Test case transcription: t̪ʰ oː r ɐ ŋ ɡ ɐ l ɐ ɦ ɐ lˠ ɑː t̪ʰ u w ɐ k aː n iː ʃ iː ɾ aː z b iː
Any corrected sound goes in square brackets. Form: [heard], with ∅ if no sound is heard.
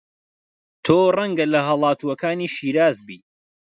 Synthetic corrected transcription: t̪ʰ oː r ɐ ŋ ɡ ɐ l ɐ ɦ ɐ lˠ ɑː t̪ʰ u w ɐ k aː n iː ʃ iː ɾ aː z b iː